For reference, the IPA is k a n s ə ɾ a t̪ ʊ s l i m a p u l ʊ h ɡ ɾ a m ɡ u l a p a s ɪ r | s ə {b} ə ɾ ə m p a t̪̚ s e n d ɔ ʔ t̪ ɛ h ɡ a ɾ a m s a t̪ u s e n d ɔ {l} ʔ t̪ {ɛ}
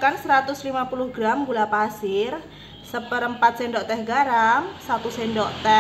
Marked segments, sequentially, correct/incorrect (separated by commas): incorrect, incorrect, correct